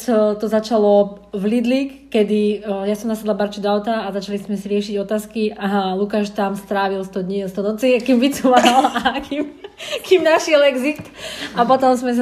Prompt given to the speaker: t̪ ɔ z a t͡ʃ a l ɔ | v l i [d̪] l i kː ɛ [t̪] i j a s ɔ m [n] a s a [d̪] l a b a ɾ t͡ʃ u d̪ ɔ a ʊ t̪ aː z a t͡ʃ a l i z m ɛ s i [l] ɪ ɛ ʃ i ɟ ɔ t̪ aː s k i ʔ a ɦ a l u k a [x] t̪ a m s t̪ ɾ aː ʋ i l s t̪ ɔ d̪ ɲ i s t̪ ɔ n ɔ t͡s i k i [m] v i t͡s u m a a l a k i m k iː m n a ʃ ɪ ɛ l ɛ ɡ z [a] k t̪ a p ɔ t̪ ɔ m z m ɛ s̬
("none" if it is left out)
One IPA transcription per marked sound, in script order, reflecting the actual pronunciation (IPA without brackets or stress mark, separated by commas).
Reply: d̪, d̪, n, d̪, ɾ, ʃ, m, i